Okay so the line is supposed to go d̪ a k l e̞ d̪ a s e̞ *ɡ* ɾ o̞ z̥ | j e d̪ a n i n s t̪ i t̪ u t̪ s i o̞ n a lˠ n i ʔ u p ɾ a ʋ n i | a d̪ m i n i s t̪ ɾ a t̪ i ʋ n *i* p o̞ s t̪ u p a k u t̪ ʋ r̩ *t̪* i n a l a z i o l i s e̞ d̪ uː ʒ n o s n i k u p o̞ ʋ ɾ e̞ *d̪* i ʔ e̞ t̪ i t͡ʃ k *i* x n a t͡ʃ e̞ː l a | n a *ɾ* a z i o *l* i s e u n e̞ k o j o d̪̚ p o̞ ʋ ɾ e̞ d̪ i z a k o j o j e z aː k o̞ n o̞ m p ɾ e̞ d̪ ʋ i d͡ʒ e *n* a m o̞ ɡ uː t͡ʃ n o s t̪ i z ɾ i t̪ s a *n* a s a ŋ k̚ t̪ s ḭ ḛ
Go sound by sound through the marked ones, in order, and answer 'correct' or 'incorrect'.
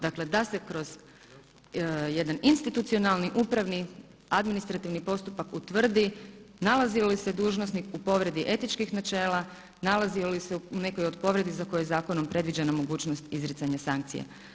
incorrect: k, correct, incorrect: d̪, correct, correct, incorrect: l, correct, correct, incorrect: ɲ

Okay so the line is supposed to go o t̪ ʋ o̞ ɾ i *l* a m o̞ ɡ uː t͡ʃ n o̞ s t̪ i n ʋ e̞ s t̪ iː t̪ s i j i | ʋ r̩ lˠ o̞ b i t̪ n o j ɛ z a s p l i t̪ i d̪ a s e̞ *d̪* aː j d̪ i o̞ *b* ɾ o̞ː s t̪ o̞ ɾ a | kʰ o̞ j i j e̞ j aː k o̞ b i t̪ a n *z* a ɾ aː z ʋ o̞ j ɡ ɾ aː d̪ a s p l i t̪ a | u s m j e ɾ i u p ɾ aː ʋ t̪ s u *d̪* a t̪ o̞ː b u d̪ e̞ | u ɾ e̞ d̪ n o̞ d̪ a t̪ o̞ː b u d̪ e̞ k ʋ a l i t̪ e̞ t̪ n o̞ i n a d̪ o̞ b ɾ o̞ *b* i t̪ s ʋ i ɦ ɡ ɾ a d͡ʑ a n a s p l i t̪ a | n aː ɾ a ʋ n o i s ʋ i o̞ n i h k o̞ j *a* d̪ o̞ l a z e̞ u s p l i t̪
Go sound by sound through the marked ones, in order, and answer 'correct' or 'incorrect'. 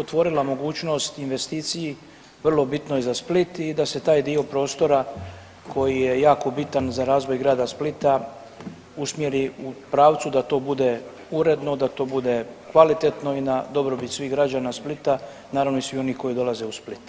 correct, incorrect: t̪, incorrect: p, correct, correct, correct, incorrect: i

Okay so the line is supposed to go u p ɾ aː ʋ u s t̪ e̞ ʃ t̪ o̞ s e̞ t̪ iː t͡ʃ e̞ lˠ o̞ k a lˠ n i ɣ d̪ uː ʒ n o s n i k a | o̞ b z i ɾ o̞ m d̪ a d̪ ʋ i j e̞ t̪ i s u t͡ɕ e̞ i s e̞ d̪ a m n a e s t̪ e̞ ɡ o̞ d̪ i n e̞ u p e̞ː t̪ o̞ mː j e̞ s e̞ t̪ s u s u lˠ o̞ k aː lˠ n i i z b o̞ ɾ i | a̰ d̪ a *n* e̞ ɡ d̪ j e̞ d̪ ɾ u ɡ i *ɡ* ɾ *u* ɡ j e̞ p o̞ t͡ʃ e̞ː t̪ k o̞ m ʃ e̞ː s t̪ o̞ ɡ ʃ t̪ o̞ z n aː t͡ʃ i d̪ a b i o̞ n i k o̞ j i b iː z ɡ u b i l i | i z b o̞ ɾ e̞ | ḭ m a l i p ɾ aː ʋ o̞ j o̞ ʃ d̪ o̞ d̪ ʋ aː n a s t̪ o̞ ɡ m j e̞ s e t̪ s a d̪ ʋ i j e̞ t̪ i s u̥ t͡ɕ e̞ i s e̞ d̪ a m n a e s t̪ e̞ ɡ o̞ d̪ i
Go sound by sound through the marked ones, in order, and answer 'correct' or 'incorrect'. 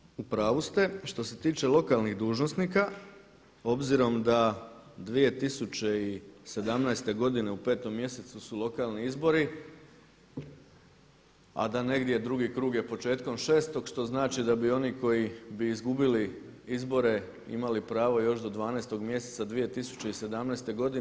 correct, incorrect: k, incorrect: uː

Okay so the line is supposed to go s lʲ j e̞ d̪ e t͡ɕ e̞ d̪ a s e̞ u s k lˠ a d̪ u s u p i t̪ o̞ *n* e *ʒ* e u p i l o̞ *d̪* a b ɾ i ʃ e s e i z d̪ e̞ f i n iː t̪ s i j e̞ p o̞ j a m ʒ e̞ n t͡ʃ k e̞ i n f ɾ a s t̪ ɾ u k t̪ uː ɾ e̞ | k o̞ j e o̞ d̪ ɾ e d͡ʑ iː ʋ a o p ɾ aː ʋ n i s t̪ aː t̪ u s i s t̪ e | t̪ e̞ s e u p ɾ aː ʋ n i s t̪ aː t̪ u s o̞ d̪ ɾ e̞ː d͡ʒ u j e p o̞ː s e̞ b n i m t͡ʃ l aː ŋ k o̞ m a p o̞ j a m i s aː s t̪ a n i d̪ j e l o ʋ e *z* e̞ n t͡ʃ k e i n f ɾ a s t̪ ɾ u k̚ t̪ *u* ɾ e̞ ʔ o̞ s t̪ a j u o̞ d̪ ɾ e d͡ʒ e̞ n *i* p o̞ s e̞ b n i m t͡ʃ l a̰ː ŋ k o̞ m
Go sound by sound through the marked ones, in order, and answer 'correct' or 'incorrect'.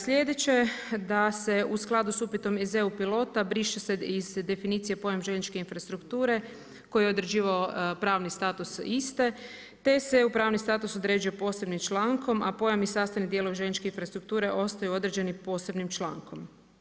incorrect: m, incorrect: z, incorrect: t̪, incorrect: ʒ, incorrect: uː, correct

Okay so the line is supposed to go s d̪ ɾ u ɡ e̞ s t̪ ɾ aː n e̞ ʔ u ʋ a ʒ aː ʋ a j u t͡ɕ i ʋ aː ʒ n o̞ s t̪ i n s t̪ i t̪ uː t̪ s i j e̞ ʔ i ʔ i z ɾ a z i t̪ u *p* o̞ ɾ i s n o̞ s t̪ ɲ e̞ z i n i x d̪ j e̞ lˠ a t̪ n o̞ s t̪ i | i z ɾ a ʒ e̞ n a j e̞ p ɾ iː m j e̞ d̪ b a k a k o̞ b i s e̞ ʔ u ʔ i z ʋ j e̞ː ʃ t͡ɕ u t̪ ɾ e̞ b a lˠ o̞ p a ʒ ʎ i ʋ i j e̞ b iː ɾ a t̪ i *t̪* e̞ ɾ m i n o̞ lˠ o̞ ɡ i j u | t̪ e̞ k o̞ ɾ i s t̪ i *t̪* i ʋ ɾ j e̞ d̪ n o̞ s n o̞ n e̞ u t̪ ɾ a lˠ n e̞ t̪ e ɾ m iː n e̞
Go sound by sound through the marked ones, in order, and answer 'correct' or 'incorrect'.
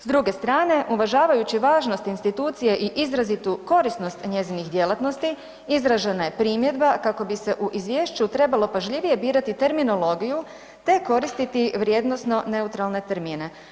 incorrect: k, correct, correct

